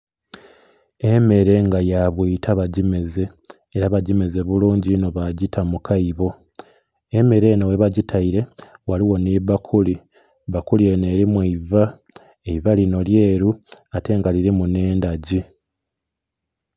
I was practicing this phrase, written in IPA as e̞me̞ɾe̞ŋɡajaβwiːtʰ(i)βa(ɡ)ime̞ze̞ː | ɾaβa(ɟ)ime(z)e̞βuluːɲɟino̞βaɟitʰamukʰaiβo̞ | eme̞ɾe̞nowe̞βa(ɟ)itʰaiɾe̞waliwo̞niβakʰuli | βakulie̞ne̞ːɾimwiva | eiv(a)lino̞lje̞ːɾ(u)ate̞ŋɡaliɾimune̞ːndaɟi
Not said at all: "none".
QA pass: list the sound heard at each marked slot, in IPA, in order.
a, ɟ, ɟ, z, ɟ, a, u

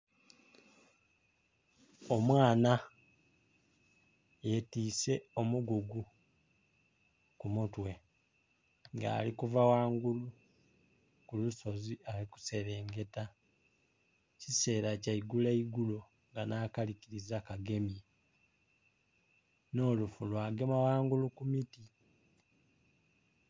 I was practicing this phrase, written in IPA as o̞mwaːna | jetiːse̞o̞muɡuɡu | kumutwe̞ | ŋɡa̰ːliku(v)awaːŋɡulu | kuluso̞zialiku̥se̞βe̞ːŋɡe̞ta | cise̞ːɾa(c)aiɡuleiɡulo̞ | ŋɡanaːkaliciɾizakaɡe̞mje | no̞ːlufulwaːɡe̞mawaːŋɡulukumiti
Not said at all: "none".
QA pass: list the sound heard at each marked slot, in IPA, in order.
v, c

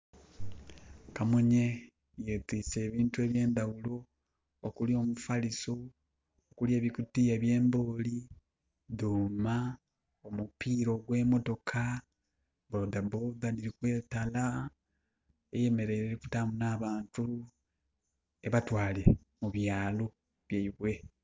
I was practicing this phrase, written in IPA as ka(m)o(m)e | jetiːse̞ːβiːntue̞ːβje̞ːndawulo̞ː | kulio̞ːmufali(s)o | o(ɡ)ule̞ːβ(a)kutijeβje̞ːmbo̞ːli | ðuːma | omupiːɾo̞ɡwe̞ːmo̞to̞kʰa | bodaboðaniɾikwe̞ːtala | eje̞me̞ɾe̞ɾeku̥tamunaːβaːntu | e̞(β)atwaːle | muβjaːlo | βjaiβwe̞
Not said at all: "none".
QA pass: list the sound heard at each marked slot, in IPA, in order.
m, ɲ, s, k, i, β

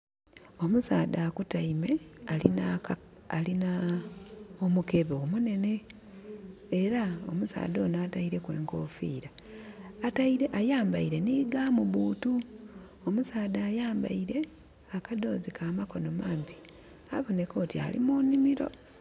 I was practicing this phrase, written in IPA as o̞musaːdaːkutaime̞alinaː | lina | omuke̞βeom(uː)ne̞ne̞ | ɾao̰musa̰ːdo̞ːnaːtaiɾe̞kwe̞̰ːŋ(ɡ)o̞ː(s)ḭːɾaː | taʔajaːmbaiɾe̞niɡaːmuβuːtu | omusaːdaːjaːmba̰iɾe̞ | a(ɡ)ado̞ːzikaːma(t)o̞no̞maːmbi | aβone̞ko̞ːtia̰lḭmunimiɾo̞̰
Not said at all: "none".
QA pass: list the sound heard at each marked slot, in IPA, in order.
u, k, f, k, k

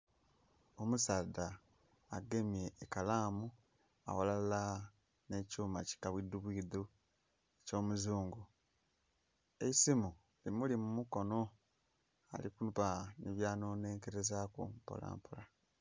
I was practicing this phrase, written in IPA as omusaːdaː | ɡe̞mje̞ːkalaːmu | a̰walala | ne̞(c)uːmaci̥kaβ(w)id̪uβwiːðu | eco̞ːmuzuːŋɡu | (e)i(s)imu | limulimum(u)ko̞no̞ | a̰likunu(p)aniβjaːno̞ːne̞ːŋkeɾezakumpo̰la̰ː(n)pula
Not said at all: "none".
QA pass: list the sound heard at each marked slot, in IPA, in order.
c, w, e, s, u, p, m

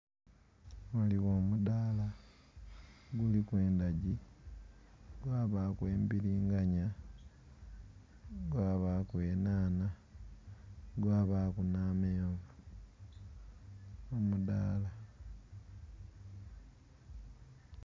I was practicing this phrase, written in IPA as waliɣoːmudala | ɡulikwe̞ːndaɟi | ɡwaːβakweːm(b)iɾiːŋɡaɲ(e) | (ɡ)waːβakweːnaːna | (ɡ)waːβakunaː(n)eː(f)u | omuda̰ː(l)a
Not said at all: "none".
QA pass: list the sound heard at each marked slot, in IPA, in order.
b, a, ɡ, ɡ, m, v, l

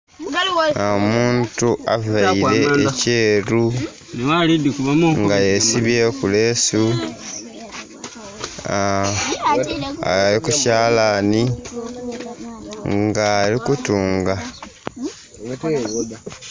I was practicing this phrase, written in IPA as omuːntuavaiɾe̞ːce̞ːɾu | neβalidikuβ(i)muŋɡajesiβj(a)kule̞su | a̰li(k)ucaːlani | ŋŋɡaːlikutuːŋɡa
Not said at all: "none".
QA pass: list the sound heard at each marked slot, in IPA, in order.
a, e, k

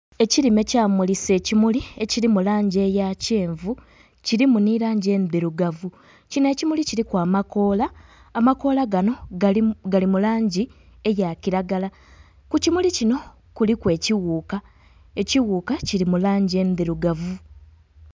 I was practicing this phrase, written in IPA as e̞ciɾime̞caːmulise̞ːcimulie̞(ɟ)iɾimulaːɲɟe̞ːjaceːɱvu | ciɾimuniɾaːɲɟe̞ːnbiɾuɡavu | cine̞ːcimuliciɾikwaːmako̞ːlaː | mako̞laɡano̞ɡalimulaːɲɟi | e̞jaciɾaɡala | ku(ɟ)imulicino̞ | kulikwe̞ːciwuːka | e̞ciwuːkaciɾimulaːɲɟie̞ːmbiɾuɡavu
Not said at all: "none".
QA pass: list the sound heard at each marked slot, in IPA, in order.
c, c

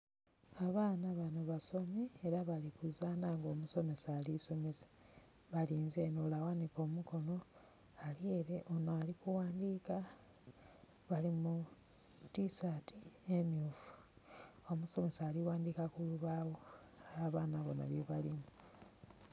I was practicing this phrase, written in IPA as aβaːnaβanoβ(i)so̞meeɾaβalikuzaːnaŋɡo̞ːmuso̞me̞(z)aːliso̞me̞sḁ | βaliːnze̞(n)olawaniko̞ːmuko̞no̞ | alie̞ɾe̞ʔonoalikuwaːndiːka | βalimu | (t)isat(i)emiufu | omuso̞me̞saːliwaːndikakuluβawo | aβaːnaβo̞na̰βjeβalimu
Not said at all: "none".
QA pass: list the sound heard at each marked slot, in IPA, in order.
a, s, n, t, i

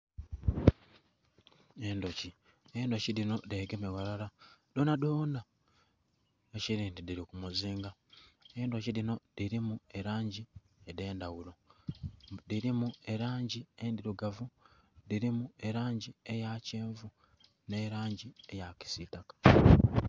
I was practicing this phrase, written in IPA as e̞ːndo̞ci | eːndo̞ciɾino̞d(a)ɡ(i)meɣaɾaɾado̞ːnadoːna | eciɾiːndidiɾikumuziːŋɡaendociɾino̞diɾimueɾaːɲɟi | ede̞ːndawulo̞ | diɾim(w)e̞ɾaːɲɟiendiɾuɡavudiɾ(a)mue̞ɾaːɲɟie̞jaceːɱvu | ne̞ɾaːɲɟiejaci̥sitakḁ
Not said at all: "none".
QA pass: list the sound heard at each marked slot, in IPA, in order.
e, e, u, i

